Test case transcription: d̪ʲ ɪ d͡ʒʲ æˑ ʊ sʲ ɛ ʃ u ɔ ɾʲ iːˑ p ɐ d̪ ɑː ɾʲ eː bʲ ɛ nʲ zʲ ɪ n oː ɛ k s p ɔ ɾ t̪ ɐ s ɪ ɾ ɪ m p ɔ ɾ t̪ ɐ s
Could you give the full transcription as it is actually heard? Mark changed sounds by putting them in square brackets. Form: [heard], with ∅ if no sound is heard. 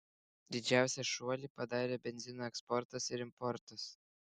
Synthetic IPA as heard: d̪ʲ ɪ d͡ʒʲ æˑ ʊ sʲ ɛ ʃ u ɔ [lʲ] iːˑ p ɐ d̪ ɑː ɾʲ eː bʲ ɛ nʲ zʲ ɪ n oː ɛ k s p ɔ ɾ t̪ ɐ s ɪ ɾ ɪ m p ɔ ɾ t̪ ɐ s